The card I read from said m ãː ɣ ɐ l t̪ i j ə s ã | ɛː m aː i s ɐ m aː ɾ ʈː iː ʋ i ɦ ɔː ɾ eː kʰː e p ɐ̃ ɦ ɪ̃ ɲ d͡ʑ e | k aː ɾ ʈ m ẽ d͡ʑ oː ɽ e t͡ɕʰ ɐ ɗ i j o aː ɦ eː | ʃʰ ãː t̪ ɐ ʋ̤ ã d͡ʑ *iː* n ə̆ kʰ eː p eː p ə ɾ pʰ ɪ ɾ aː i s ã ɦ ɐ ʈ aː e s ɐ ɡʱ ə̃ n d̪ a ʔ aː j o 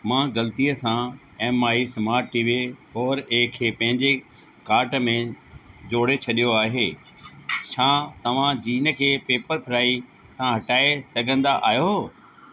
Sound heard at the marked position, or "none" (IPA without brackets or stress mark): iː